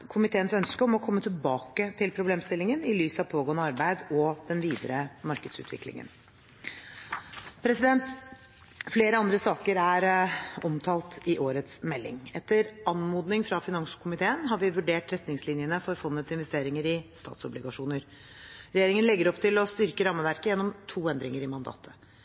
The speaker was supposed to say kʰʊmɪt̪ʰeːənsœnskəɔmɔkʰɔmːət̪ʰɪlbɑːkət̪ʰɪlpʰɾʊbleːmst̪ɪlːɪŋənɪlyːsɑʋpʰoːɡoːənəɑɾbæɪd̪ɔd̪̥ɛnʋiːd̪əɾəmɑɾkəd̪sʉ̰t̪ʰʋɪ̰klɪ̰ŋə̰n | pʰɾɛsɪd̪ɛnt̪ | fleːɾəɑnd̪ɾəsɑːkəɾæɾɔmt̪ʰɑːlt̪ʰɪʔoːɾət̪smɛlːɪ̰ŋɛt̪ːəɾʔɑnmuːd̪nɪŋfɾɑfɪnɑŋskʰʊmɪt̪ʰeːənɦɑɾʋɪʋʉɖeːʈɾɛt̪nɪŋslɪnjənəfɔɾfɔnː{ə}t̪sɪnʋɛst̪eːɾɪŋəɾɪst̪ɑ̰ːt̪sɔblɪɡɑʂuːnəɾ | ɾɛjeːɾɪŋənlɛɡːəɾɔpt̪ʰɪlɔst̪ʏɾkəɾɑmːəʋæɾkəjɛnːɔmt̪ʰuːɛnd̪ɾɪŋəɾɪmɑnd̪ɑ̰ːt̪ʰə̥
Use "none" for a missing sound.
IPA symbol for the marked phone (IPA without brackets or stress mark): ə